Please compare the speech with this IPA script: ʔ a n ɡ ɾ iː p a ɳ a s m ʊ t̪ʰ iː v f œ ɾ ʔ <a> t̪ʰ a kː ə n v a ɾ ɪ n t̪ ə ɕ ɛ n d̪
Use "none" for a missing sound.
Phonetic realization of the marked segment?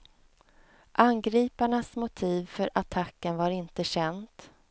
a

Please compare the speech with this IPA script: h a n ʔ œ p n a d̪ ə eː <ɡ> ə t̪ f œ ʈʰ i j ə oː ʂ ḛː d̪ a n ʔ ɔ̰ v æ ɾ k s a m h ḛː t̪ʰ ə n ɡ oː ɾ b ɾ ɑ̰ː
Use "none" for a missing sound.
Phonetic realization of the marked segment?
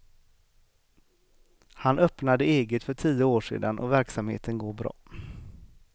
ɡ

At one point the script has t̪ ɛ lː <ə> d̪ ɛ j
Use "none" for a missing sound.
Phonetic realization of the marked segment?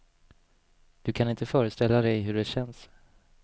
a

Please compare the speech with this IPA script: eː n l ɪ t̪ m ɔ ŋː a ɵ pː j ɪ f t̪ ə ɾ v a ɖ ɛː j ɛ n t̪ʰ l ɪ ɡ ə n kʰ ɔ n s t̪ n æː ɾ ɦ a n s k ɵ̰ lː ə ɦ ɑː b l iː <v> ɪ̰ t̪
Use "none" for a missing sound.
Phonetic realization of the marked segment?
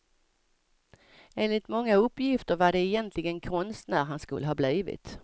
v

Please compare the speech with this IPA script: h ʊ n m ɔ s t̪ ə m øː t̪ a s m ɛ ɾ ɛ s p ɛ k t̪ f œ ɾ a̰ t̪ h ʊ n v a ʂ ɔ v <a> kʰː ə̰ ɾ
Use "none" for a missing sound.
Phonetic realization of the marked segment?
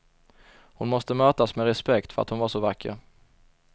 a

